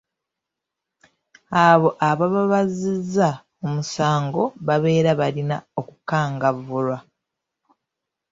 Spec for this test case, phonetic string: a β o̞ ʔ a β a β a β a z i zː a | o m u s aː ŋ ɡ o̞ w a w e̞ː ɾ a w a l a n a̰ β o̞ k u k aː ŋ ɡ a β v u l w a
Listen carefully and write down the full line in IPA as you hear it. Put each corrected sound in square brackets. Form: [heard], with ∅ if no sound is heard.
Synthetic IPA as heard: a β o̞ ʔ a β a β a β a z i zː a | o m u s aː ŋ ɡ o̞ [β] a [β] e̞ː ɾ a [β] a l [i] n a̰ [∅] o̞ k u k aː ŋ ɡ a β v u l w a